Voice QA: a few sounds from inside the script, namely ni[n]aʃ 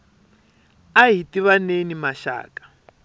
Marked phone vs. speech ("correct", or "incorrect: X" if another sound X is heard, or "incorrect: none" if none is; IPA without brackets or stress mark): incorrect: m